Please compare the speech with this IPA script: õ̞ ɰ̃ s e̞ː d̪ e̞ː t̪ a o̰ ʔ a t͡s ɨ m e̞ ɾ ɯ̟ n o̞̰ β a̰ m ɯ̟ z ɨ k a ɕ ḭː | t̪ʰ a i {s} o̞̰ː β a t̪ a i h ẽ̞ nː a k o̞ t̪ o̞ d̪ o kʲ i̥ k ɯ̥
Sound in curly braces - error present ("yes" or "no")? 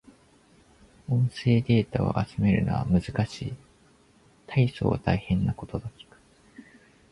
no